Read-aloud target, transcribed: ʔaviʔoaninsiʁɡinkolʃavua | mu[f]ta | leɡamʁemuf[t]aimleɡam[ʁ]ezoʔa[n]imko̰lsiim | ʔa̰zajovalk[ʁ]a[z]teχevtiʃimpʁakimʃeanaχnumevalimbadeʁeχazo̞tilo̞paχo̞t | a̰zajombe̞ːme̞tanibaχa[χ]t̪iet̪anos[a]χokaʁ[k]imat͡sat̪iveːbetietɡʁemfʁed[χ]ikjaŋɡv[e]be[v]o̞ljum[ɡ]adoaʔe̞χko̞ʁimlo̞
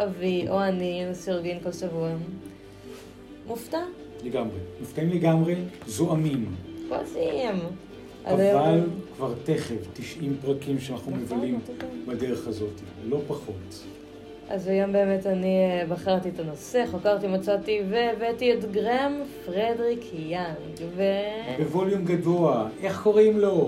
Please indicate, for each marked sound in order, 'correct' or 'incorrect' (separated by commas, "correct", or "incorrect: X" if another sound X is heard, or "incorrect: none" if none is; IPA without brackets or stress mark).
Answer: correct, correct, correct, incorrect: m, incorrect: v, incorrect: ʁ, incorrect: ʁ, incorrect: e, incorrect: t, incorrect: ʁ, correct, correct, correct